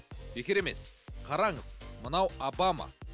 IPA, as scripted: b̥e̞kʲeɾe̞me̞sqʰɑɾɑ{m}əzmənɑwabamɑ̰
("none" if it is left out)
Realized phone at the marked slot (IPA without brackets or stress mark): ɴ